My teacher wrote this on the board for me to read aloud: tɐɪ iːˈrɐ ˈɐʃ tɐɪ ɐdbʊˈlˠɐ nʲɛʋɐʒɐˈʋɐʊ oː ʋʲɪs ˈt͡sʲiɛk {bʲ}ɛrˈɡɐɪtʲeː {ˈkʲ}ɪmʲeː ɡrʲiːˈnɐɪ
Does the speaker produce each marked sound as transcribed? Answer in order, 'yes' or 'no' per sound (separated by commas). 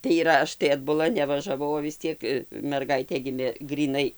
no, no